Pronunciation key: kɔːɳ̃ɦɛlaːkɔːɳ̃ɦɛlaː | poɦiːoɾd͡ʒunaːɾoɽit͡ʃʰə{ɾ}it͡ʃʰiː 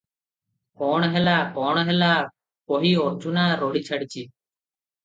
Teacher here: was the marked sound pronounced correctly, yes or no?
no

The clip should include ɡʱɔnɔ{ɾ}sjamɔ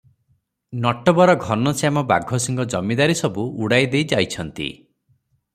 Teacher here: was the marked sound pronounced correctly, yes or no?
no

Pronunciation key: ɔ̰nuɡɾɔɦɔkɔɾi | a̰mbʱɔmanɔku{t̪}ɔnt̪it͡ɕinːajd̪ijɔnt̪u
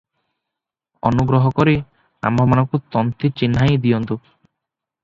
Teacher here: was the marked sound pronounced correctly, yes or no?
yes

